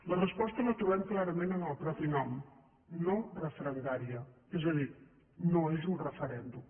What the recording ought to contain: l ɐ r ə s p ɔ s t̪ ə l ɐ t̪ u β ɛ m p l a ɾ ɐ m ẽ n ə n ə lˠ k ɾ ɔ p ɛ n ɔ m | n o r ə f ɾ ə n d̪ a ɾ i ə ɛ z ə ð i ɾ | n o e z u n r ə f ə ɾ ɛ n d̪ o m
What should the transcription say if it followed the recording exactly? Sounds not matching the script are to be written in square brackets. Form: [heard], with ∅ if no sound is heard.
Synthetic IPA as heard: l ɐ r ə s p ɔ s t̪ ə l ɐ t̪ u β ɛ m [k] l a ɾ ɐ m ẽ n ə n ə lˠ [p] ɾ ɔ p [i] n ɔ m | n o r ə f ɾ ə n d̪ a ɾ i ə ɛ z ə ð i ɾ | n o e z u n r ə f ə ɾ ɛ n d̪ [u] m